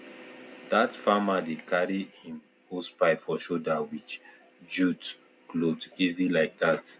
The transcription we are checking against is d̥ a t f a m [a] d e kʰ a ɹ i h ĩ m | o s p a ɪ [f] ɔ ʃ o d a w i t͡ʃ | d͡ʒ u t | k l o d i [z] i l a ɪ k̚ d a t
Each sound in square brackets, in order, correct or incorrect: correct, correct, correct

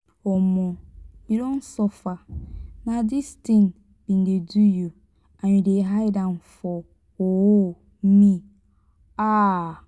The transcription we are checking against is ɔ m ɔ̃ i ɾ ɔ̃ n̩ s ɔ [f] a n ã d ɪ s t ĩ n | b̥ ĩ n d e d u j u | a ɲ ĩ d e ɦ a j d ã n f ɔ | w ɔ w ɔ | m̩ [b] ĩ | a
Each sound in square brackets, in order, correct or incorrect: correct, incorrect: m

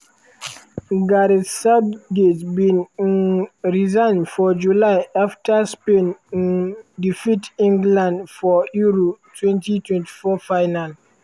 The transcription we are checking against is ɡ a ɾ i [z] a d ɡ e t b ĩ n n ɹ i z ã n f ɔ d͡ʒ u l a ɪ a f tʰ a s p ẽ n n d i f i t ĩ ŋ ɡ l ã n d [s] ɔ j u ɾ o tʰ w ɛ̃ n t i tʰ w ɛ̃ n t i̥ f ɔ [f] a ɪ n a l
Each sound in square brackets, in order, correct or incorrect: incorrect: s, incorrect: f, correct

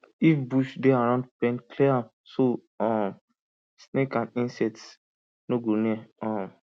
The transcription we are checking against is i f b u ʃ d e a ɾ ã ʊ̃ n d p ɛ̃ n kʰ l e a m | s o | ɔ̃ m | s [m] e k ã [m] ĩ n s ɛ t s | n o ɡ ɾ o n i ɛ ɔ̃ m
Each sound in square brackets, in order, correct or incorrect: incorrect: n, incorrect: n

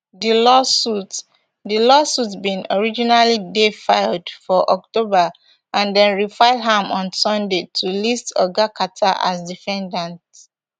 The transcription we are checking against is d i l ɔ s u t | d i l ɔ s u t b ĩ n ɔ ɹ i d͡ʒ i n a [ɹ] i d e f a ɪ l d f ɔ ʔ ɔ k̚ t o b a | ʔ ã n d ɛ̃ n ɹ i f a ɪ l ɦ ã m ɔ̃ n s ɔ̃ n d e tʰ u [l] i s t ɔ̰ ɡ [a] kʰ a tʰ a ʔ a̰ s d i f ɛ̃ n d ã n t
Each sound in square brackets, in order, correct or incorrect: incorrect: l, correct, correct

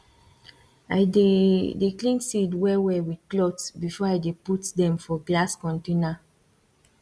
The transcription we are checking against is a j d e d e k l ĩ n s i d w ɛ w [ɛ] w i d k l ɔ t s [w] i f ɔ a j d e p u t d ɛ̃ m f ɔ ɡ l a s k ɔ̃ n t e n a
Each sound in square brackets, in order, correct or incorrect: correct, incorrect: b

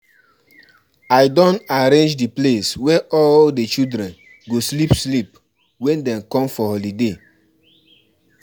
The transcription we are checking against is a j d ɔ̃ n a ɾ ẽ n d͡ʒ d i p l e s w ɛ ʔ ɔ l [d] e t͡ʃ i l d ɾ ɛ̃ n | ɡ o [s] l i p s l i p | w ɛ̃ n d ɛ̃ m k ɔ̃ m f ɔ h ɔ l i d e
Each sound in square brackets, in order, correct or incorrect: correct, correct

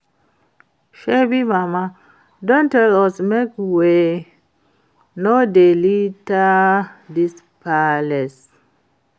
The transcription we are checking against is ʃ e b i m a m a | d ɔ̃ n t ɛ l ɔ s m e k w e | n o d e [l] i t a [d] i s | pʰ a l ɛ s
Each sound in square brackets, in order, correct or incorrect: correct, correct

